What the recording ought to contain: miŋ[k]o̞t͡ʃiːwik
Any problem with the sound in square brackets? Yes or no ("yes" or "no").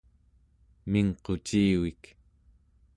yes